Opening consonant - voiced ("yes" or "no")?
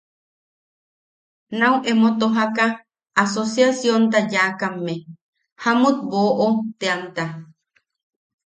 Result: yes